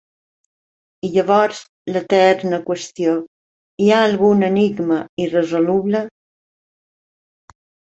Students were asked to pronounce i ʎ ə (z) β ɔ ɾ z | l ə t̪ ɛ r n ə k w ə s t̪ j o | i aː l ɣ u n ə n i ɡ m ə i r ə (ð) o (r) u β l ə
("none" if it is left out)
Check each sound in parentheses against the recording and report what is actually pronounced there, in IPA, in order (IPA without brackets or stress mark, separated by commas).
none, z, l